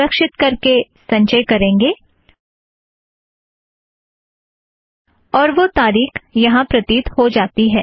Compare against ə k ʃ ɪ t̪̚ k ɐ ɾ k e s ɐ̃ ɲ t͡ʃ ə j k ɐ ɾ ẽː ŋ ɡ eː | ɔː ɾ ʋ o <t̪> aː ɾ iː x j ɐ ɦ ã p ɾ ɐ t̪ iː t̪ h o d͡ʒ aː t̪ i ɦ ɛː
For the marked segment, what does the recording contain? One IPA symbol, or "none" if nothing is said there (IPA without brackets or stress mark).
t̪